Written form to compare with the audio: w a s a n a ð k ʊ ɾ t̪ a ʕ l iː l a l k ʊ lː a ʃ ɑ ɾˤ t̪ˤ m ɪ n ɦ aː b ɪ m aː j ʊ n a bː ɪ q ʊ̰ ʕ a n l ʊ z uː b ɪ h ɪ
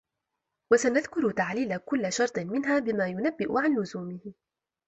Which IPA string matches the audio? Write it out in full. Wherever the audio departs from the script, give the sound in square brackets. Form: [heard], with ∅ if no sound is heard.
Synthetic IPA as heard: w a s a n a ð k ʊ ɾ t̪ a ʕ l iː l a [∅] k ʊ lː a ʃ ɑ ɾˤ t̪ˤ m ɪ n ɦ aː b ɪ m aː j ʊ n a bː ɪ [ʔ] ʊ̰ ʕ a n l ʊ z uː [m] ɪ h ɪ